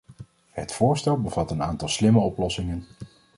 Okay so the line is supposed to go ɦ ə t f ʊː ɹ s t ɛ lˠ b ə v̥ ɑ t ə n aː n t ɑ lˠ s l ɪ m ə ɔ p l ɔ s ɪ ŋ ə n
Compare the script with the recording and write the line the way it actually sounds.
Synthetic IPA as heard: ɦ ə t f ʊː ɹ s t ɛ lˠ b ə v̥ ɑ t ə n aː n t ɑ lˠ s l ɪ m ə ɔ p l ɔ s ɪ ŋ ə n

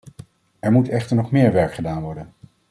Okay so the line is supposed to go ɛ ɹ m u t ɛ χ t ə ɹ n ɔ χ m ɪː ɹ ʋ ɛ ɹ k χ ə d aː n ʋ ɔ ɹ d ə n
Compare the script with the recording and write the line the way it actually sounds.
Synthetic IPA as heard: ɛ ɹ m u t ɛ χ t ə ɹ n ɔ χ m ɪː ɹ ʋ ɛ ɹ k χ ə d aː n ʋ ɔ ɹ d ə n

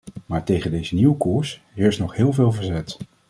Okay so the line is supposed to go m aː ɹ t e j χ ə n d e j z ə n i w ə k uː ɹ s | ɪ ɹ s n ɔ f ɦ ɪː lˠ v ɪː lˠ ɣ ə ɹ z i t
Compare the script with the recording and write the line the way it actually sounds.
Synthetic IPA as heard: m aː ɹ t e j χ ə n d e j z ə n i w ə k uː ɹ s | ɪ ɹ s n ɔ χ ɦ ɪː lˠ v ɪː lˠ v ə ɹ z ɛ t

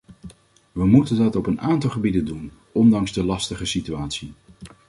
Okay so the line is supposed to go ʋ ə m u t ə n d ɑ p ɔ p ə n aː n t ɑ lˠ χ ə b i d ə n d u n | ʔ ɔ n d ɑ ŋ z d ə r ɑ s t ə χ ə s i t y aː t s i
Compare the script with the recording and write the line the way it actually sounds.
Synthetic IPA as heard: ʋ ə m u t ə n d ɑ t ɔ p ə n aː n t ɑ lˠ χ ə b i d ə n d u n | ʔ ɔ n d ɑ ŋ z d ə l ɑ s t ə χ ə s i t y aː t s i

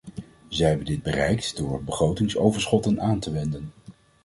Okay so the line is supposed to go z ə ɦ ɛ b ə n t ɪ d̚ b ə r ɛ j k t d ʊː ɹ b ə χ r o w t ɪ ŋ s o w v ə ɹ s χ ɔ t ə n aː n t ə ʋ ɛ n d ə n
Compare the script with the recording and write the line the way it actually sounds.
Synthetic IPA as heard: z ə ɦ ɛ b ə n d ɪ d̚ b ə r ɛ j k t d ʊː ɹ b ə χ r o w t ɪ ŋ s o w v ə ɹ s χ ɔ t ə n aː n t ə ʋ ɛ n d ə n

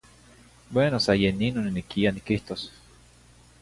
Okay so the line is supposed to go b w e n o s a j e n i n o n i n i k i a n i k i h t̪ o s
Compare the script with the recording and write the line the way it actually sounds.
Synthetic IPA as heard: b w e n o s a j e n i n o n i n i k i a n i k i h t̪ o s

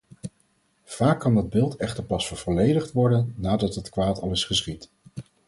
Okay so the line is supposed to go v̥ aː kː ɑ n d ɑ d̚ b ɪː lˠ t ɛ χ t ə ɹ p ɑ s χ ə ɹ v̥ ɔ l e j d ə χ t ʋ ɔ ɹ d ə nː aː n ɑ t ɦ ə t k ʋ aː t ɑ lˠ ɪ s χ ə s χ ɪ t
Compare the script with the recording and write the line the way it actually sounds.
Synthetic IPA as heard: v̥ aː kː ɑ n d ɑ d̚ b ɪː lˠ t ɛ χ t ə ɹ p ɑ s f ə ɹ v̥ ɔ l e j d ə χ t ʋ ɔ ɹ d ə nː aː d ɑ t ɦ ə t k ʋ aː t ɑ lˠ ɪ s χ ə s χ i t

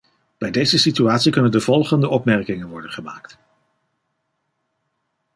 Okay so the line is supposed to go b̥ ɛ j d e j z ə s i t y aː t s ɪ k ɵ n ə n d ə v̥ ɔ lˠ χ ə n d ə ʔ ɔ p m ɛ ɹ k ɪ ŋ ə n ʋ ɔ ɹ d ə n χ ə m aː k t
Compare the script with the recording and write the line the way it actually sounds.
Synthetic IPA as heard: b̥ ɛ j d e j z ə s i t y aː t s i k ɵ n ə n d ə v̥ ɔ lˠ χ ə n d ə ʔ ɔ p m ɛ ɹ k ɪ ŋ ə n ʋ ɔ ɹ d ə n χ ə m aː k t

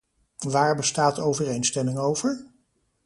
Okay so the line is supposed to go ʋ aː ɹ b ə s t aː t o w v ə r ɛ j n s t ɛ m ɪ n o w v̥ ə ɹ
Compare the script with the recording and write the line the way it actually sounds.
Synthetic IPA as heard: ʋ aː ɹ b ə s t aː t o w v ə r e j n s t ɛ m ɪ ŋ o w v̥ ə ɹ

